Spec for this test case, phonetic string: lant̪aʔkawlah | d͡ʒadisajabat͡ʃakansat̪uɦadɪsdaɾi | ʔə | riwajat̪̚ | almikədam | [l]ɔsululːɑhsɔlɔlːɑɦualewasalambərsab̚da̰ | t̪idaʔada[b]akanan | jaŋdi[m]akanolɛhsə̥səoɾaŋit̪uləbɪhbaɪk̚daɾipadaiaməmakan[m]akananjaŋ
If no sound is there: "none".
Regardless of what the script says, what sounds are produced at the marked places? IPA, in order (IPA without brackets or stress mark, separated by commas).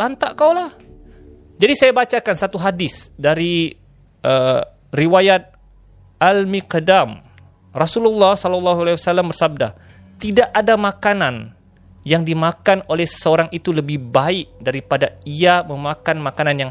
r, m, m, m